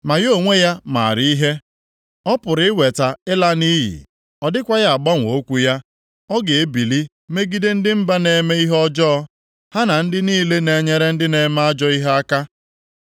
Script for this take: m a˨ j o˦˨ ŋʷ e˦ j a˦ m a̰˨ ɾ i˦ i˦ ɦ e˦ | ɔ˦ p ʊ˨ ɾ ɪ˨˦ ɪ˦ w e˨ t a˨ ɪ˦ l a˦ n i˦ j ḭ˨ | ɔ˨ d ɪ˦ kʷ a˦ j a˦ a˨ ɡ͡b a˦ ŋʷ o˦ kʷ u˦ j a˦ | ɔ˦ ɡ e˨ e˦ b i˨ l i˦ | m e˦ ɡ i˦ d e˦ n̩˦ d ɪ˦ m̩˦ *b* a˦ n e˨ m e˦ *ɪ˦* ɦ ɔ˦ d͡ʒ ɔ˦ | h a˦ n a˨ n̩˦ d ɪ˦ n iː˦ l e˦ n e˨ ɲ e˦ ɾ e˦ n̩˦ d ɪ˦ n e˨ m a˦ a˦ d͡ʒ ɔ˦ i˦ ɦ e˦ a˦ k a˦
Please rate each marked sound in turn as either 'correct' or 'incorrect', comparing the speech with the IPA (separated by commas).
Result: correct, incorrect